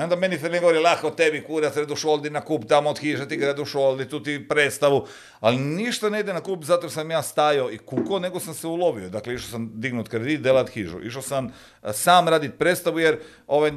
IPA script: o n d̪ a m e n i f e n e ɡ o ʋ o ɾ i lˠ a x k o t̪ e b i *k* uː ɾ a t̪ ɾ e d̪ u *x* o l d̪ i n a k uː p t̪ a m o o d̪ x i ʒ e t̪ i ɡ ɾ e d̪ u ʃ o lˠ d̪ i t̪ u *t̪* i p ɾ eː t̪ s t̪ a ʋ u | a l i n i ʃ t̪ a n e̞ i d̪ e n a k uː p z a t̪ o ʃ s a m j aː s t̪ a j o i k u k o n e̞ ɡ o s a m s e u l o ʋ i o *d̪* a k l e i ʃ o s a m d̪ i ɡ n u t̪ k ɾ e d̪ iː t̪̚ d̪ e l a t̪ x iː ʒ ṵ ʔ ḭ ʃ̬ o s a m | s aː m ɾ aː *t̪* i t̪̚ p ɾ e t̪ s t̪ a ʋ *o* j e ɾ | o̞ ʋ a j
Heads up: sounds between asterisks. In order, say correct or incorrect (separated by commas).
correct, incorrect, correct, correct, incorrect, incorrect